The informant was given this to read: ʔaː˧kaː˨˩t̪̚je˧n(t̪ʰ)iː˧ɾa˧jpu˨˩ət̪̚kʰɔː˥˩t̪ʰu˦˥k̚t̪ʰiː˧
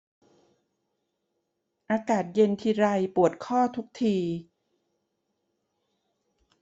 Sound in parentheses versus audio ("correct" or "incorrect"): correct